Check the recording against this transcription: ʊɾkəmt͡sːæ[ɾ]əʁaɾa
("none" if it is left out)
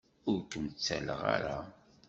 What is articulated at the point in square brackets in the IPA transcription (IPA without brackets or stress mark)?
l